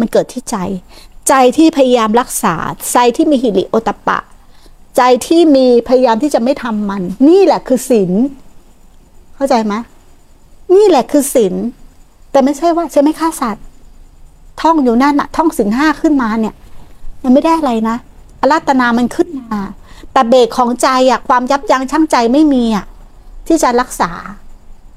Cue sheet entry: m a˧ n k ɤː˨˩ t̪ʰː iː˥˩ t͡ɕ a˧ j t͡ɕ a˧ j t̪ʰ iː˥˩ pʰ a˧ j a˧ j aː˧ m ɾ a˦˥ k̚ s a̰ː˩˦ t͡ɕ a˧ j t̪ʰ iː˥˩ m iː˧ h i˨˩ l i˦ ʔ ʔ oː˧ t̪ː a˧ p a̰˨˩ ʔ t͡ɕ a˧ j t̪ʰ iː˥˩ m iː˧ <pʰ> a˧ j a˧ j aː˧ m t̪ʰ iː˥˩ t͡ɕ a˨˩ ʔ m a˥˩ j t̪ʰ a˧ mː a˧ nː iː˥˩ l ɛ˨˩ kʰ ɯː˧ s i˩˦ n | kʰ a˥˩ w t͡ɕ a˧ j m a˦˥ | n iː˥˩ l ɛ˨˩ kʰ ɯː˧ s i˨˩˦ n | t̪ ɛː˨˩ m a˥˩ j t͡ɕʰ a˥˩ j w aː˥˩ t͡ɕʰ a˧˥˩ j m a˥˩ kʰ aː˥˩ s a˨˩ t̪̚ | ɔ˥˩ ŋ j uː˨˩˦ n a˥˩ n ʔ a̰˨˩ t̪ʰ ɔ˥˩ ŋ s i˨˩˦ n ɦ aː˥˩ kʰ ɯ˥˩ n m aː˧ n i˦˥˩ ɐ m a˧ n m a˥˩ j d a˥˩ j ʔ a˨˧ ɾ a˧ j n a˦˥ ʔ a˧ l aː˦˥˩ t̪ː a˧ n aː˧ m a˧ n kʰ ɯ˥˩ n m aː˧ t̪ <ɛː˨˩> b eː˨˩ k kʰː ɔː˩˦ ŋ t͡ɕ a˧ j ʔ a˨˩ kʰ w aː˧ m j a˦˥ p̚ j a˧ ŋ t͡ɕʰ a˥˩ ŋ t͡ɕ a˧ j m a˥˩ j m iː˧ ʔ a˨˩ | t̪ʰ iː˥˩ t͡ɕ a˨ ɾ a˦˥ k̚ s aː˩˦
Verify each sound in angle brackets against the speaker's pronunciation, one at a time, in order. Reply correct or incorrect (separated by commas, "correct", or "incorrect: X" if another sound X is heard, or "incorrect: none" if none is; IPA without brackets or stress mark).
correct, correct